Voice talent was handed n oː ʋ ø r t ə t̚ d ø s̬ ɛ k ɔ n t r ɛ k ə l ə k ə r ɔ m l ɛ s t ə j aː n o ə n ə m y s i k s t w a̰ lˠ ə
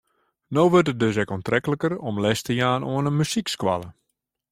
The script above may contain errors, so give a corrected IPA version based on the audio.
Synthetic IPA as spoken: n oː ʋ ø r t ə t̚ d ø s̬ ɛ k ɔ n t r ɛ k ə l ə k ə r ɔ m l ɛ s t ə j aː n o ə n ə m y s i k s k w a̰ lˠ ə